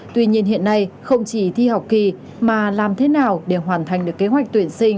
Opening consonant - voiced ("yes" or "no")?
no